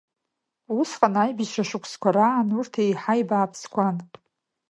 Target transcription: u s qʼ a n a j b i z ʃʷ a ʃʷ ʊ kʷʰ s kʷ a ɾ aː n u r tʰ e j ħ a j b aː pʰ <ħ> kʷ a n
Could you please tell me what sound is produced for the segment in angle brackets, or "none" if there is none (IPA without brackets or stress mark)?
s